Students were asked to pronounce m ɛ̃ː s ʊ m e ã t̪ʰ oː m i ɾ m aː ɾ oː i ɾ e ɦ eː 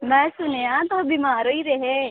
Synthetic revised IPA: m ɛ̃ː s ʊ n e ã t̪ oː b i m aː ɾ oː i ɾ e ɦ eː